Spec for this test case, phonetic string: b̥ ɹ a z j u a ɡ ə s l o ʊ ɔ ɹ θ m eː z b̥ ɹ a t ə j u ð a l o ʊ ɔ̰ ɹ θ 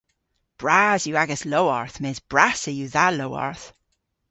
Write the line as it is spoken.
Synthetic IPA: b̥ ɹ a z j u a ɡ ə s l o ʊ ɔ ɹ θ m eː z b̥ ɹ a s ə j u ð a l o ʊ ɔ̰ ɹ θ